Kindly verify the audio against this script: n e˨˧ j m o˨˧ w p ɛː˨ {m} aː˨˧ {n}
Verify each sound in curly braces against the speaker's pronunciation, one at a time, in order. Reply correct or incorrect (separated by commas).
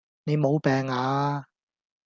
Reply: incorrect, incorrect